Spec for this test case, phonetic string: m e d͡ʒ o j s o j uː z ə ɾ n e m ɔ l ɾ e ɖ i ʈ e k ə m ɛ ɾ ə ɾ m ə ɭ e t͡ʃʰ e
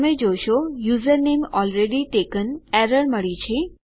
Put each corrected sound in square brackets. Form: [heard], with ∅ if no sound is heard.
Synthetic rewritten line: m e d͡ʒ o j [ʃ] o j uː z ə ɾ n e m ɔ l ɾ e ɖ i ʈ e k ə [n] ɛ ɾ ə ɾ m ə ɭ [i] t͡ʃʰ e